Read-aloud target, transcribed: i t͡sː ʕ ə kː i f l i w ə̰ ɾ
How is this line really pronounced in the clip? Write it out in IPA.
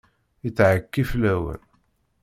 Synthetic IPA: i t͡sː ʕ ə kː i f l æ w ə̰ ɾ